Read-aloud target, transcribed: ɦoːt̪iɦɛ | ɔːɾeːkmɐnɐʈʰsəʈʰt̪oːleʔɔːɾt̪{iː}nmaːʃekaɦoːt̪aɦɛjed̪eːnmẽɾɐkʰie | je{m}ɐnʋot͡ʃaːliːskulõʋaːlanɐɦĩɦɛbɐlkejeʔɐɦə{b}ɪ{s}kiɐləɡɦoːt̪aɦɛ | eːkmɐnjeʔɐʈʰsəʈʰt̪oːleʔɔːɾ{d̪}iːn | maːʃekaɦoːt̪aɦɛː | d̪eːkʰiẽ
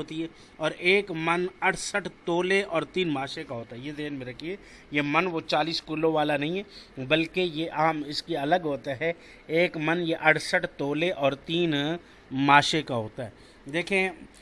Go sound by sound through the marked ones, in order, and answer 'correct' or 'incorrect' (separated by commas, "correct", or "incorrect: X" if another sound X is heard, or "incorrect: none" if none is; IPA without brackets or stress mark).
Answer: correct, correct, incorrect: m, correct, incorrect: t̪